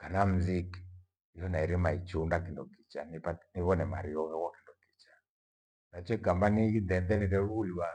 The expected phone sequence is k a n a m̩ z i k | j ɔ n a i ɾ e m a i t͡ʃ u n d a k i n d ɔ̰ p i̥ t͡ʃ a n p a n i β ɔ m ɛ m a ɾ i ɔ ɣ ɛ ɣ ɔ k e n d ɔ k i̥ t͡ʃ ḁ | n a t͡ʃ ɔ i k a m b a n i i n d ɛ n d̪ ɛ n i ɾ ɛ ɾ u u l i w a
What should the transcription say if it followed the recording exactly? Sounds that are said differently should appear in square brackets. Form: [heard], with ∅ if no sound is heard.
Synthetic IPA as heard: k a n a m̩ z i k | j ɔ n a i ɾ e m a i t͡ʃ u n d a k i n d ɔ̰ [k] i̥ t͡ʃ a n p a n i β ɔ [n] ɛ m a ɾ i ɔ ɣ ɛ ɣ ɔ k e n d ɔ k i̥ t͡ʃ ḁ | n a t͡ʃ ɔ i k a m b a n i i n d ɛ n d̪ ɛ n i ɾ ɛ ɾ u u l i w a